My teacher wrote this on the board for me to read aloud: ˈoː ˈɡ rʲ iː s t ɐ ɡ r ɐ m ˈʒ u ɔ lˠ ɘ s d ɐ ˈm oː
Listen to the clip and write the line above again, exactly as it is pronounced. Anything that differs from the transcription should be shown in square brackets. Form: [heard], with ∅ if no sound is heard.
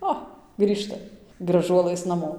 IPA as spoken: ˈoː ˈɡ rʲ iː [ʃ] t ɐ ɡ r ɐ [∅] ˈʒ u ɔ lˠ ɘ s [n] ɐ ˈm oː